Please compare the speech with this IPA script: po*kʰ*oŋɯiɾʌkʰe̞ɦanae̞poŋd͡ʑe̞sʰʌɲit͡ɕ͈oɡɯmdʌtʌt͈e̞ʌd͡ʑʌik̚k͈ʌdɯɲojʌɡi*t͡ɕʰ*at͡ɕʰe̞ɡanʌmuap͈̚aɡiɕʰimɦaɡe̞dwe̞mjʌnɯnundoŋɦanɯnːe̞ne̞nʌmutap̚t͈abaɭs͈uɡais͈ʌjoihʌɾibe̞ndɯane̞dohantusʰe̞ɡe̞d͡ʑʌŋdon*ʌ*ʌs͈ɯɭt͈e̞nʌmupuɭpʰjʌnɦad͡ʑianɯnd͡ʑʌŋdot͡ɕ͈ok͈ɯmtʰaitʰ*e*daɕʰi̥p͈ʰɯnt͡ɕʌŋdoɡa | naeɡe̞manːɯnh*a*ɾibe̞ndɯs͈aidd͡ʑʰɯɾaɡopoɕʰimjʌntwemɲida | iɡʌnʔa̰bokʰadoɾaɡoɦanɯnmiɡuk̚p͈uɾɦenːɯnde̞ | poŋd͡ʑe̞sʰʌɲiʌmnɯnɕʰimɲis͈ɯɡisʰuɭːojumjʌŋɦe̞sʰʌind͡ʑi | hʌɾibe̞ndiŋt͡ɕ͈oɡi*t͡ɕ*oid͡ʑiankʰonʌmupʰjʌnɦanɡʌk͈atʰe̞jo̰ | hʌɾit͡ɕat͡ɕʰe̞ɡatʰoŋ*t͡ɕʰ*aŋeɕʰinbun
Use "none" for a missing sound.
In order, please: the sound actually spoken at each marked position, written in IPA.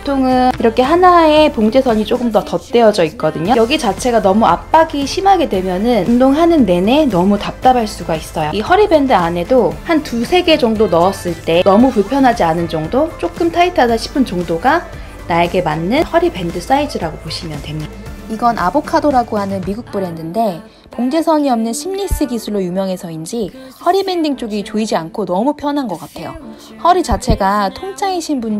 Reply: tʰ, t͡ɕ, ʌ, a, ʌ, t͡ɕ, t͡ɕʰ

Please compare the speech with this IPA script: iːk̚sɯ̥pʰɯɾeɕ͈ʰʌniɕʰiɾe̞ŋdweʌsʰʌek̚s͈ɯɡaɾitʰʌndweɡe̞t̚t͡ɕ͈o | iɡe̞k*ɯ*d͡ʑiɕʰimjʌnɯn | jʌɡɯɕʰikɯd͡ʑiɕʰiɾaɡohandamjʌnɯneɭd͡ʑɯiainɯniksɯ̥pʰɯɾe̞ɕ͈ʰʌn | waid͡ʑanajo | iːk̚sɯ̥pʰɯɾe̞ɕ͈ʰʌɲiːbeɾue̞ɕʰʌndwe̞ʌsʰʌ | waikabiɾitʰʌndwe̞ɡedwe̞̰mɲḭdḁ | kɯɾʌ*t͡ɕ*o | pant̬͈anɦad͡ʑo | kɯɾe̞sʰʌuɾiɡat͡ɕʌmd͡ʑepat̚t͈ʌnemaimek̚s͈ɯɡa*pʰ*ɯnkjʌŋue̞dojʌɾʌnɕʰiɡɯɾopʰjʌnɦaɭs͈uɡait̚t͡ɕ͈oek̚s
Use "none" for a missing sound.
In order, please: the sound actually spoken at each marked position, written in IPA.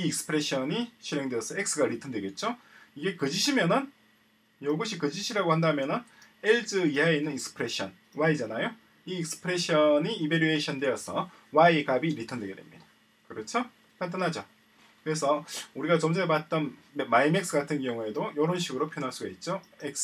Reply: ɯ, t͡ɕʰ, tʰ

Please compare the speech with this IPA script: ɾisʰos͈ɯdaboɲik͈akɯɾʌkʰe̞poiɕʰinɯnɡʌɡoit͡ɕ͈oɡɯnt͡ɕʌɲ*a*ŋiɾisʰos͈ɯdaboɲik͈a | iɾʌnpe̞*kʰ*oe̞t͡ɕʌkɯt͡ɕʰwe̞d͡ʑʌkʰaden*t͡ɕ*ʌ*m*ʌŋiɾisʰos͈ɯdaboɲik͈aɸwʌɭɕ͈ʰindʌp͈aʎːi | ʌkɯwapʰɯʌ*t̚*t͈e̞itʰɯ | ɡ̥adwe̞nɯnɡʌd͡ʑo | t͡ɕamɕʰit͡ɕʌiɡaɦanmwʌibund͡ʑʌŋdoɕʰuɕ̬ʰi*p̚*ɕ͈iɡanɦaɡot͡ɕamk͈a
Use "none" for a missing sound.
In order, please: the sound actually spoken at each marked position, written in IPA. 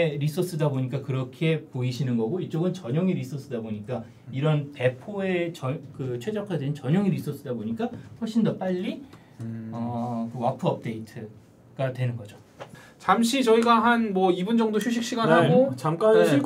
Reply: ʌ, pʰ, t͡ɕ, ɲ, p̚, k̚

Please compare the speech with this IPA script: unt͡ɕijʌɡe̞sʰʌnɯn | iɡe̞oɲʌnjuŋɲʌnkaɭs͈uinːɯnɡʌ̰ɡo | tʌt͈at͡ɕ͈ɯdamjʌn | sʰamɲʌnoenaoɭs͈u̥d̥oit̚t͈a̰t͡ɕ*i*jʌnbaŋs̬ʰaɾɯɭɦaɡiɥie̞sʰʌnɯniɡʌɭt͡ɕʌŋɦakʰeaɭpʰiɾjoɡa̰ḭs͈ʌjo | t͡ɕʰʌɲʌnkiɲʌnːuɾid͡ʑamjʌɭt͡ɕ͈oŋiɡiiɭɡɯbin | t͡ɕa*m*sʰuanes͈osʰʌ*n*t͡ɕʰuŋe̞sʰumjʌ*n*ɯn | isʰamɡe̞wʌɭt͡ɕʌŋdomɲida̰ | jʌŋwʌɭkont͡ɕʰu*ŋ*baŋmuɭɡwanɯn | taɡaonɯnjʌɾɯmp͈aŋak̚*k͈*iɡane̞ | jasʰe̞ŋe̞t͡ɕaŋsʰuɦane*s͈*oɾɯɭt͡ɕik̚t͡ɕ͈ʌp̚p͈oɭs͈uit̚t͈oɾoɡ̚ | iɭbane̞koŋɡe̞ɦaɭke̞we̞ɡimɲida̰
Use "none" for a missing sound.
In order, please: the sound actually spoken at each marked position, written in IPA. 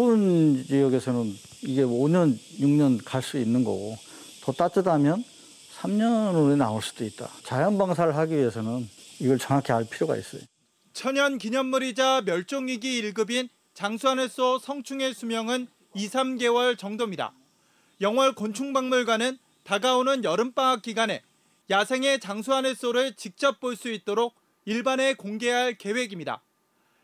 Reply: a, ŋ, ŋ, ŋ, ŋ, k͈, s͈

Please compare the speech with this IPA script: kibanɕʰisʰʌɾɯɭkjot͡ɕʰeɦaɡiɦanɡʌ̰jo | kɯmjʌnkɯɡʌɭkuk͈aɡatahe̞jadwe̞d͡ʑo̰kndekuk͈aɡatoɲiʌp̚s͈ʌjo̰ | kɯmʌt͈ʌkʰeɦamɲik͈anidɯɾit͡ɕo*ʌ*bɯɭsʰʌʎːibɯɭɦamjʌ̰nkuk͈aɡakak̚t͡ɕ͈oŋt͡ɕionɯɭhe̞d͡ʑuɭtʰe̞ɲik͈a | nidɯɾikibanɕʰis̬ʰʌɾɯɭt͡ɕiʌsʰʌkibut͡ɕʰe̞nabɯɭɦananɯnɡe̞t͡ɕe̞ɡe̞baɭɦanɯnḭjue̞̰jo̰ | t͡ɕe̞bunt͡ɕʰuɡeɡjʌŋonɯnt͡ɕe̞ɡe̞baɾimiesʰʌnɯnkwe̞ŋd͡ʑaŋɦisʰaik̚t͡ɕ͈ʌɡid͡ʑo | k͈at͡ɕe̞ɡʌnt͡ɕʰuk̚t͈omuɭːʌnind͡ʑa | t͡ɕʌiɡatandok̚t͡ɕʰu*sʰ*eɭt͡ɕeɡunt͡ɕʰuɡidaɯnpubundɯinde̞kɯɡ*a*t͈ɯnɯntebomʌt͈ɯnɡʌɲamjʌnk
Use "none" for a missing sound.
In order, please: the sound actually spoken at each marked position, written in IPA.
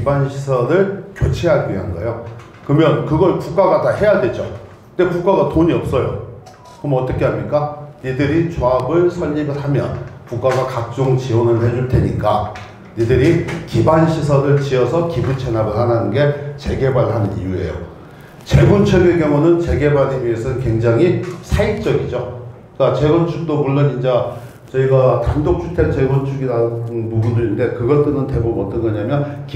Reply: a, tʰ, ʌ

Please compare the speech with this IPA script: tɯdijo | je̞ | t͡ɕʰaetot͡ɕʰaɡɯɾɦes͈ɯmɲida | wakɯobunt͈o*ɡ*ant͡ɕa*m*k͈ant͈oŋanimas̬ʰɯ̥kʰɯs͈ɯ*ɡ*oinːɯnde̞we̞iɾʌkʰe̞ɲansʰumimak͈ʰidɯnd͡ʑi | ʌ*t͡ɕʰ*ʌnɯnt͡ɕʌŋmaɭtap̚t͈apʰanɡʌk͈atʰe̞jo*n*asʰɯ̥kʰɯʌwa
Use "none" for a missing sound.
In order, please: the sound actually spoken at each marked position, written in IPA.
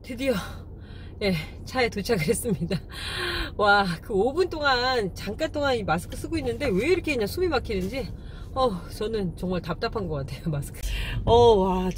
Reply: ŋ, ŋ, ɡ, t͡ɕ, m

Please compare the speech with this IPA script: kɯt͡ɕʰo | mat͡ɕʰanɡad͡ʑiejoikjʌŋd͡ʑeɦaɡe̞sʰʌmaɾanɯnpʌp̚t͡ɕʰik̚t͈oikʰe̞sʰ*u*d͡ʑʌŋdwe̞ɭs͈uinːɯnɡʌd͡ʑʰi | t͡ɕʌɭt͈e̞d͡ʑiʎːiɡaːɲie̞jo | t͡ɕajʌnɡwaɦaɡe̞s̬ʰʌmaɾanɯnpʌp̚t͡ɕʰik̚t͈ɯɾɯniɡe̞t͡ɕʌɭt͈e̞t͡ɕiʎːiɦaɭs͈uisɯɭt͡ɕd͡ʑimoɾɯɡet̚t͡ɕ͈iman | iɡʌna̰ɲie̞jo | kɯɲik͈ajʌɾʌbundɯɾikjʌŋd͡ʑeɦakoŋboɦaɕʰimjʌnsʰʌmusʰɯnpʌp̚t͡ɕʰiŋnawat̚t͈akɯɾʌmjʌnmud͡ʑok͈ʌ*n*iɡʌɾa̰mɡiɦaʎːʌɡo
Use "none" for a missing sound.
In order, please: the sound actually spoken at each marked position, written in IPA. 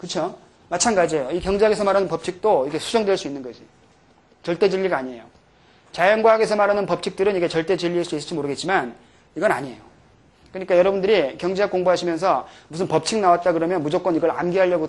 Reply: u, n

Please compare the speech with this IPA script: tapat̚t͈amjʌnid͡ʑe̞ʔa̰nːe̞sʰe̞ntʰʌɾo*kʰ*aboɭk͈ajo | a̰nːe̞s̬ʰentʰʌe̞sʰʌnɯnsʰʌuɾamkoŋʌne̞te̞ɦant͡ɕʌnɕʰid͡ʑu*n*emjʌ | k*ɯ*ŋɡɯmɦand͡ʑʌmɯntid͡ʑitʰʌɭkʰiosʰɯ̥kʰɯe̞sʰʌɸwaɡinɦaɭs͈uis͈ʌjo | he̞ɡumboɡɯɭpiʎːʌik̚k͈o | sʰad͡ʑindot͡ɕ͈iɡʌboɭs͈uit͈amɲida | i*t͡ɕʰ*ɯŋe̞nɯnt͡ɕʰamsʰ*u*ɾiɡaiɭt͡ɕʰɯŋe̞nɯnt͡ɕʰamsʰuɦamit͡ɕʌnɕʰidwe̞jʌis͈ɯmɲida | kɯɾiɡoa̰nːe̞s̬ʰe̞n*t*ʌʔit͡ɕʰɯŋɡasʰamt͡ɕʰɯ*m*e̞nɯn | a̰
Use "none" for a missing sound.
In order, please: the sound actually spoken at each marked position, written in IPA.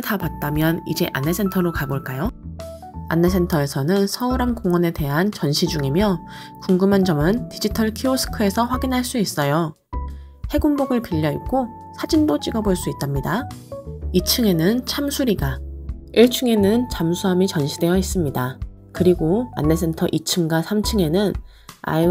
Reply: k, ŋ, u, t͡ɕʰ, u, tʰ, ŋ

